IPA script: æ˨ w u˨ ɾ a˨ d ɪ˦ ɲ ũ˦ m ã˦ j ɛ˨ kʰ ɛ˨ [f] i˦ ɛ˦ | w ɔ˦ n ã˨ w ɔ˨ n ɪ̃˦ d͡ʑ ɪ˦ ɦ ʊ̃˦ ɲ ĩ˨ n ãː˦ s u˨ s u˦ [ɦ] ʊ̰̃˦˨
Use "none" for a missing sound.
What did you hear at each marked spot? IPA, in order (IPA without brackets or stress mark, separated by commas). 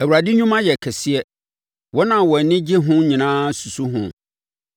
s, ɦ